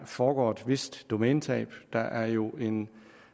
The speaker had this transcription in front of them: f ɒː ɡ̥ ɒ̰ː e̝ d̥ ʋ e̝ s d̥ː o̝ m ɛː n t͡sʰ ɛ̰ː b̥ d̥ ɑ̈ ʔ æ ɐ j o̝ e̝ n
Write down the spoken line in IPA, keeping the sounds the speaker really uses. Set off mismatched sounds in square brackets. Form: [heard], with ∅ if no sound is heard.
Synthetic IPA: f ɒː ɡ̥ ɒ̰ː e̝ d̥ ʋ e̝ s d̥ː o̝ m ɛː n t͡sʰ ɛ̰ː b̥ d̥ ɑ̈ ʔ æ ɐ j o̝ e̝ n